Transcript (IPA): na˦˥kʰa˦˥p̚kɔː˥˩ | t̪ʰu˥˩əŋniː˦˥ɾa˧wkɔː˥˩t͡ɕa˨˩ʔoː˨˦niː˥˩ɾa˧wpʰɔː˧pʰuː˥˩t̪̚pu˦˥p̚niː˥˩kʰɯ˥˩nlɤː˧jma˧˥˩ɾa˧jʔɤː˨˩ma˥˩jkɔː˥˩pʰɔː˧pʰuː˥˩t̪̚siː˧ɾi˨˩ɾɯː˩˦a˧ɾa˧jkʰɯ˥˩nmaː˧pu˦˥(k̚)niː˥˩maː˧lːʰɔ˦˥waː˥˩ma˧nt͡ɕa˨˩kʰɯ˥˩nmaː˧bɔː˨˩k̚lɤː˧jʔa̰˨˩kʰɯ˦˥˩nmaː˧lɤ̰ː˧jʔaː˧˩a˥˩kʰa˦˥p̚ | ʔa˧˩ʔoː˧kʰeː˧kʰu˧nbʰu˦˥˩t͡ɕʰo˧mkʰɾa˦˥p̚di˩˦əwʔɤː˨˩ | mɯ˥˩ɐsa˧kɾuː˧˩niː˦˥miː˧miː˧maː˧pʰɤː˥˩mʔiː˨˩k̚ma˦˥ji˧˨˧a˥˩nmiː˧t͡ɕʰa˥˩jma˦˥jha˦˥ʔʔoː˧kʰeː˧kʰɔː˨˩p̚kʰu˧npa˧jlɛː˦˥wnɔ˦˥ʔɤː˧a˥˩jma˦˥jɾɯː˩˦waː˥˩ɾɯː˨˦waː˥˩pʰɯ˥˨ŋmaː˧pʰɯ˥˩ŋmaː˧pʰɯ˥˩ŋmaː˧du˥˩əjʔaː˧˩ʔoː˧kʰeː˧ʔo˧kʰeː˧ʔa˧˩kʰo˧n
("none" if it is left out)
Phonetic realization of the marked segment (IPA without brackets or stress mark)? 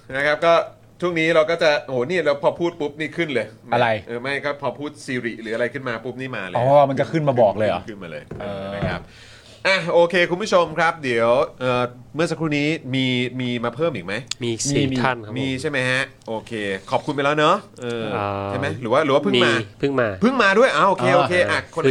p̚